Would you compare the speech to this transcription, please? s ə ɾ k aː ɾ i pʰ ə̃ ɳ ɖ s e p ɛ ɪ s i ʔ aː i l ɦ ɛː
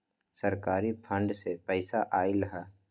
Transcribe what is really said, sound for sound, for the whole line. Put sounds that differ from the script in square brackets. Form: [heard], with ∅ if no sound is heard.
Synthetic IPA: s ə ɾ k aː ɾ i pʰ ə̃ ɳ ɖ s e p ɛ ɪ s [a] ʔ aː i l ɦ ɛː

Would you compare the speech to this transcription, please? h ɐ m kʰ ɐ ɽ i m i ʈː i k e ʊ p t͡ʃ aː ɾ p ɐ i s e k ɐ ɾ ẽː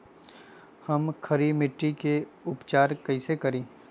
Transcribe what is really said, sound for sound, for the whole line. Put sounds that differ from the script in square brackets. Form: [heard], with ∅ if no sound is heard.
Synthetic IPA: h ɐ m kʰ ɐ [ɾ] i m [ɪ] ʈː i k e ʊ p t͡ʃ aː ɾ [k] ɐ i s e k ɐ ɾ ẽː

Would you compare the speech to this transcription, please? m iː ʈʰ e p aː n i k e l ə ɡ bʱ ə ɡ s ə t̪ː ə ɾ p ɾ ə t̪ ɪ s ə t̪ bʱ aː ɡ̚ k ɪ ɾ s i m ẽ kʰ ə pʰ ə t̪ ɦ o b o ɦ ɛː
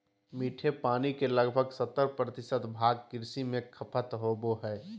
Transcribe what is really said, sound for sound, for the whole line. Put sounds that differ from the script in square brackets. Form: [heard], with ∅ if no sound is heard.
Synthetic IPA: m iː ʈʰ e p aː n i k e l ə ɡ bʱ ə ɡ s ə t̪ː ə ɾ p ɾ ə t̪ ɪ s ə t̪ bʱ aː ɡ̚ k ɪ ɾ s i m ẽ kʰ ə pʰ ə t̪ ɦ o b o ɦ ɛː

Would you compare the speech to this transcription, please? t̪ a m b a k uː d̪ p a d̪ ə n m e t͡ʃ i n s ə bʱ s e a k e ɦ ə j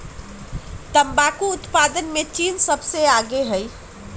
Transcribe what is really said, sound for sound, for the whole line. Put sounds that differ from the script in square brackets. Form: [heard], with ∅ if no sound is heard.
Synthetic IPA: t̪ [ə] m b a k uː [t̪] p a d̪ ə n m e t͡ʃ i n s ə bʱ s e a [ɡ] e ɦ ə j

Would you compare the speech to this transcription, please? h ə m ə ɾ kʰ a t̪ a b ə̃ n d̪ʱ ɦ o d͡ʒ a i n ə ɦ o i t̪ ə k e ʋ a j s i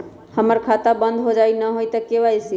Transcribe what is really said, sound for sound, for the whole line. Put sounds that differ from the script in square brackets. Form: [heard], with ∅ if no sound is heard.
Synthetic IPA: h ə m ə ɾ kʰ a t̪ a b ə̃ n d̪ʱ ɦ o d͡ʒ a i n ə ɦ o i t̪ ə k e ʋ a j s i

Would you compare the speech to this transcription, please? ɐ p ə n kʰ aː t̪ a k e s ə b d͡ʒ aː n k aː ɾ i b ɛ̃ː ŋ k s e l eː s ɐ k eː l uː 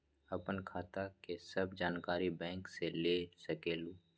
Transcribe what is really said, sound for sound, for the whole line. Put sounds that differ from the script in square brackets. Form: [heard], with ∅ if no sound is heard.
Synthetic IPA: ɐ p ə n kʰ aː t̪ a k e s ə b d͡ʒ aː n k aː ɾ i b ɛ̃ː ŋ k s e l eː s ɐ k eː l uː

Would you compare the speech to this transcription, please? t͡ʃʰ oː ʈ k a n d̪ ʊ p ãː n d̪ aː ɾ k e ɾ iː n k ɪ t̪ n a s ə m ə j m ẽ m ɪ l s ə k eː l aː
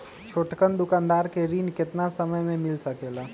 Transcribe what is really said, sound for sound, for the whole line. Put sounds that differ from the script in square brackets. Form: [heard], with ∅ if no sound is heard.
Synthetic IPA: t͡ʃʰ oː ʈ k [ə] n d̪ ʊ [k] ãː n d̪ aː ɾ k e ɾ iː n k ɪ t̪ n a s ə m ə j m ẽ m ɪ l s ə k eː l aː

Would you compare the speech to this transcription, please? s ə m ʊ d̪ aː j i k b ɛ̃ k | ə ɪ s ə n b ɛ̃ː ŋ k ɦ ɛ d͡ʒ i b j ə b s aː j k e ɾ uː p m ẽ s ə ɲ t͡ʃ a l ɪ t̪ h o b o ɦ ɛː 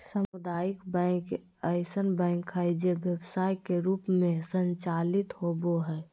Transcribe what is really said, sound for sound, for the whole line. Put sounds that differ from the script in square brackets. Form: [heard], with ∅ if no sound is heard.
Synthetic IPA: s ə m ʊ d̪ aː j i k b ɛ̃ k | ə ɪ s ə n b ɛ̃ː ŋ k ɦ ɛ d͡ʒ [e] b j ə b s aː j k e ɾ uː p m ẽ s ə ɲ t͡ʃ a l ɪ t̪ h o b o ɦ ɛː

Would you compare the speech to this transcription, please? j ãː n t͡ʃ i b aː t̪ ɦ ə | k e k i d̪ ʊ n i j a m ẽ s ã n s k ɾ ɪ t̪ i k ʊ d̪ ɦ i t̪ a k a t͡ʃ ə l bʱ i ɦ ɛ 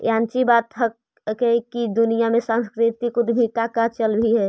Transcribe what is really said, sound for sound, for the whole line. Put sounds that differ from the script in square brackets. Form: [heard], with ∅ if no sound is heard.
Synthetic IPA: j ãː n t͡ʃ i b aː t̪ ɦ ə | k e k i d̪ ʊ n i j a m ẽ s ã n s k ɾ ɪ t̪ i k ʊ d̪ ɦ i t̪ a k a t͡ʃ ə l bʱ i ɦ ɛ

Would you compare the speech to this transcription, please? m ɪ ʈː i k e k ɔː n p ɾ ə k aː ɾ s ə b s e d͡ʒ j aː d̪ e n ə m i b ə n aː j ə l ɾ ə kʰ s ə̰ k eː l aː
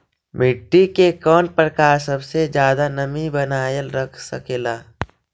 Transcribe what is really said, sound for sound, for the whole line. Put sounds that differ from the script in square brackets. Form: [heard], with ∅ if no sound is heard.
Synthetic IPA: m ɪ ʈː i k e k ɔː n p ɾ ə k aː ɾ s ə b s e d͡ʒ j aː d̪ [a] n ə m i b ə n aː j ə l ɾ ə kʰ s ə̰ k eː l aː

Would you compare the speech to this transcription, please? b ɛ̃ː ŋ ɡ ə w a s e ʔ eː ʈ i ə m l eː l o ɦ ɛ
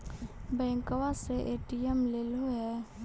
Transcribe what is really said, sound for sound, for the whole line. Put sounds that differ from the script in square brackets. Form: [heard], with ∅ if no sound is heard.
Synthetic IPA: b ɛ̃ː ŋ [k] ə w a s e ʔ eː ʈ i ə m l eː l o ɦ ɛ

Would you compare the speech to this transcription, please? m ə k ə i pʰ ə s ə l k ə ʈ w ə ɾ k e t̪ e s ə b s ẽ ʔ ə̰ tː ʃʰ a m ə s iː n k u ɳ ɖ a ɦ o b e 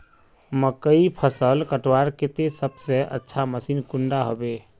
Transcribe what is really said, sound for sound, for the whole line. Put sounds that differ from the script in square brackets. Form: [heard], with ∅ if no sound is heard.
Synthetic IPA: m ə k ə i pʰ ə s ə l k ə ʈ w [a] ɾ k e t̪ e s ə b s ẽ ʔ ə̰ tː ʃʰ a m ə s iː n k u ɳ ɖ a ɦ o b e

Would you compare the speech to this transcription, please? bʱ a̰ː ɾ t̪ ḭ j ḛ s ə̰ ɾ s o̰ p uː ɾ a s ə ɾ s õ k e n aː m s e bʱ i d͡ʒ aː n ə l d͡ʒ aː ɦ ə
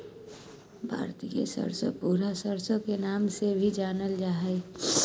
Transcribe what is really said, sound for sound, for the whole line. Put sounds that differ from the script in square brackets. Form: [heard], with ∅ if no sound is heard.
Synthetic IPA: bʱ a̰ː ɾ t̪ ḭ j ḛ s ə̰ ɾ s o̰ p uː ɾ a s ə ɾ s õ k e n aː m s e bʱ i d͡ʒ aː n ə l d͡ʒ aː ɦ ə

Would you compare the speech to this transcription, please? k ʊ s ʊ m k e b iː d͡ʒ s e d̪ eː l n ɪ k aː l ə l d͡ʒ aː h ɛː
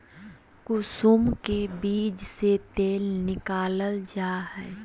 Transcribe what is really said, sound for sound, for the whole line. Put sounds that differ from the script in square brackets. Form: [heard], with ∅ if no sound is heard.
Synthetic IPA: k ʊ s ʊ m k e b iː d͡ʒ s e [t̪] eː l n ɪ k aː l ə l d͡ʒ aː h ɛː

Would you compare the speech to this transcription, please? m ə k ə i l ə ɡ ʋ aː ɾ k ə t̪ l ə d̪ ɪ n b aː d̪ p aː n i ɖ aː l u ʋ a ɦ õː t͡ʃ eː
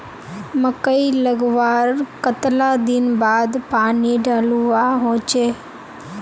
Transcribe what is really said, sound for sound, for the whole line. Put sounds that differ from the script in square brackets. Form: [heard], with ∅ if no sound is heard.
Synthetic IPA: m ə k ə i l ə ɡ ʋ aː ɾ k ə t̪ l [a] d̪ ɪ n b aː d̪ p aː n i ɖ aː l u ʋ a ɦ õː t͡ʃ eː

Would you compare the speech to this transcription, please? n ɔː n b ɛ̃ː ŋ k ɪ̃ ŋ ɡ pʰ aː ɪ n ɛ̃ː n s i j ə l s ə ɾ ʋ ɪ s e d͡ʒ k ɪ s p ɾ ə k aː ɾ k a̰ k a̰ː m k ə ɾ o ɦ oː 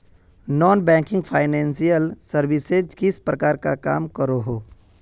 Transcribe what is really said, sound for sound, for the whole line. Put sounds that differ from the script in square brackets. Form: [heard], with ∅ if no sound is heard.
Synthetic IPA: n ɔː n b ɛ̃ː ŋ k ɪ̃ ŋ ɡ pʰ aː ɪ n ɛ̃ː n s i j ə l s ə ɾ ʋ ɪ s e d͡ʒ k ɪ s p ɾ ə k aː ɾ k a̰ k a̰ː m k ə ɾ o ɦ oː

